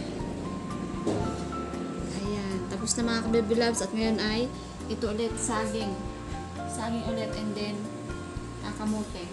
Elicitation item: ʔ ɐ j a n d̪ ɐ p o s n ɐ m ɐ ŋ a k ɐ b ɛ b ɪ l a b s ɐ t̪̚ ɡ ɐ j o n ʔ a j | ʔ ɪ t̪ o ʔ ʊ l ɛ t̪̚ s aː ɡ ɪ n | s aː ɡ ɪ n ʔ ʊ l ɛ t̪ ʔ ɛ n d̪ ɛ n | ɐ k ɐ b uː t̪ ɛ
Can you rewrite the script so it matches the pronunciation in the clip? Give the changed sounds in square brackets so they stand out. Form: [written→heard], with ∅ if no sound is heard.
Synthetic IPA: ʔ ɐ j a n [d̪→t̪] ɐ p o s n ɐ m ɐ ŋ a k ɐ b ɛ b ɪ l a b s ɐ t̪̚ [ɡ→ŋ] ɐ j o n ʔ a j | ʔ ɪ t̪ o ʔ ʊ l ɛ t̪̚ s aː ɡ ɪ [n→ŋ] | s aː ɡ ɪ [n→ŋ] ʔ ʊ l ɛ t̪ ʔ ɛ n d̪ ɛ n | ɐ k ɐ [b→m] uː t̪ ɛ